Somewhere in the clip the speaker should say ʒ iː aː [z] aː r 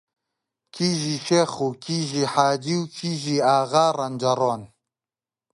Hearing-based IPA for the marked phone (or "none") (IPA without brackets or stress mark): ɣ